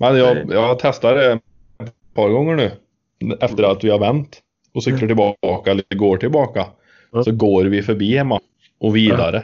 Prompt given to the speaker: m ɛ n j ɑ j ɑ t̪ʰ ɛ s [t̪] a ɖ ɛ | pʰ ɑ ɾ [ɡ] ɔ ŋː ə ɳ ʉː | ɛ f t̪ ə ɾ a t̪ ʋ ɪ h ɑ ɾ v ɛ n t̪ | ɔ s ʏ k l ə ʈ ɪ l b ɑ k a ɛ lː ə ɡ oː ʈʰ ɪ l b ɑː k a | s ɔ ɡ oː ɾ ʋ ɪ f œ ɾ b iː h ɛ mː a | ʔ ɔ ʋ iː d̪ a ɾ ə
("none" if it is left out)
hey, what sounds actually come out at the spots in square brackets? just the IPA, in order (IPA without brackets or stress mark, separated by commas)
t̪, ɡ